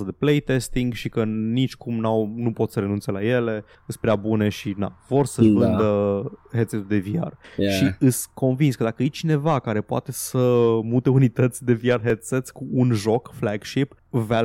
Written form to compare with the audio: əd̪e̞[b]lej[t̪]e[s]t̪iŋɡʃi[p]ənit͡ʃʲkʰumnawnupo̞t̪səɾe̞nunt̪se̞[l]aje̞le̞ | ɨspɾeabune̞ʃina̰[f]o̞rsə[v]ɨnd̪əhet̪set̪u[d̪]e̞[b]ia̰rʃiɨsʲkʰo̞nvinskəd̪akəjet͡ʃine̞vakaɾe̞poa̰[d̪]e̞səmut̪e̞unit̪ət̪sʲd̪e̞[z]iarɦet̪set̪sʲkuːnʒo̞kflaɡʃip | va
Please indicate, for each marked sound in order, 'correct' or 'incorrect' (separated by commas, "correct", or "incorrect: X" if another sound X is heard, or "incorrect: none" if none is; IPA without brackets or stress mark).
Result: incorrect: p, correct, correct, incorrect: k, correct, incorrect: v, correct, correct, incorrect: v, incorrect: t̪, incorrect: v